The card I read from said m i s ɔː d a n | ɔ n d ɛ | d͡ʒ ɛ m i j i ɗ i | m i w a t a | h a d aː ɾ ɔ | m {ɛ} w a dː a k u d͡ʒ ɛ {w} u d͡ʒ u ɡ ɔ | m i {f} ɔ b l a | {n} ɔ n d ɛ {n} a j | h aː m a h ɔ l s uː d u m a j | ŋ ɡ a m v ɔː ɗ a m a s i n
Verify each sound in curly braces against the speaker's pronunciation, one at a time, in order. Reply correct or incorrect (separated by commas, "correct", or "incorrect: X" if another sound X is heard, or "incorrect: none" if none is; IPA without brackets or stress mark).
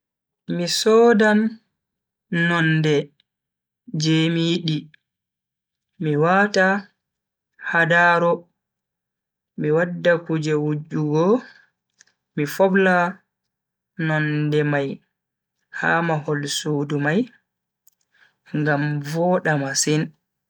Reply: incorrect: i, correct, correct, correct, incorrect: m